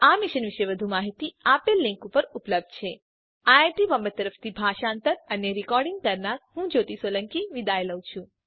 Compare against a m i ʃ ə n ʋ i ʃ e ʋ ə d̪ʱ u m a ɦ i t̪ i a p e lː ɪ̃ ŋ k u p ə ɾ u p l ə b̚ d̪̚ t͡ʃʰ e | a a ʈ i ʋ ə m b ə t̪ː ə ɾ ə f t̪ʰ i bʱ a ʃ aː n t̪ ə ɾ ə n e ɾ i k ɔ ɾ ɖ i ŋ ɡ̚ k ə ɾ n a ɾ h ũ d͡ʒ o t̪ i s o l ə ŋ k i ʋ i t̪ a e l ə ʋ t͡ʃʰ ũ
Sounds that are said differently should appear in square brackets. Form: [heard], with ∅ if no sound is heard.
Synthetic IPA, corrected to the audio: a m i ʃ ə n ʋ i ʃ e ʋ ə d̪ʱ u m a ɦ i t̪ i a p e lː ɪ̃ ŋ k u p ə ɾ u p l ə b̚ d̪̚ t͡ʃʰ e | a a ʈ i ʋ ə m b ə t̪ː ə ɾ ə f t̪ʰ i bʱ a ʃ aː n t̪ ə ɾ ə n e ɾ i k ɔ ɾ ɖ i ŋ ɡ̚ k ə ɾ n a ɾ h ũ d͡ʒ o t̪ i s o l ə ŋ k i ʋ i [d̪] a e l ə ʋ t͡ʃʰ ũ